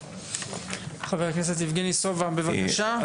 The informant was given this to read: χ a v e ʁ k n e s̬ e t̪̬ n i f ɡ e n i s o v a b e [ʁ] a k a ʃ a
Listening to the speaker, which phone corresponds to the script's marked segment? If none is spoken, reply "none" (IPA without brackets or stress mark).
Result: v